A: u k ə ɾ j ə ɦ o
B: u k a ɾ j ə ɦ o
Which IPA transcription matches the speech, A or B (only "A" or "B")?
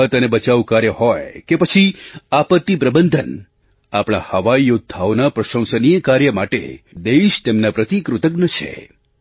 B